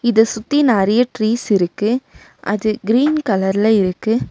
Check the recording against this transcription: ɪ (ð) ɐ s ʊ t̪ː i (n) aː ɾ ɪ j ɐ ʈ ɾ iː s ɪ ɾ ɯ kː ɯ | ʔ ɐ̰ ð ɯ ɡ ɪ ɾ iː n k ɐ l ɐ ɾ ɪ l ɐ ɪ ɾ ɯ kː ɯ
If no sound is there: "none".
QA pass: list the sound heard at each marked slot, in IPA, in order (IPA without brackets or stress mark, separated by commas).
ð, n